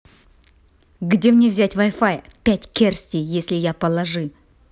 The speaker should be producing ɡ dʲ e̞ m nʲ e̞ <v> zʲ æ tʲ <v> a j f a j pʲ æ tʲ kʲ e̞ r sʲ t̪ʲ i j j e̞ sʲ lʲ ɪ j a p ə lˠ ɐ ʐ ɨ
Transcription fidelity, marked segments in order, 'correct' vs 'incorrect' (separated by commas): correct, correct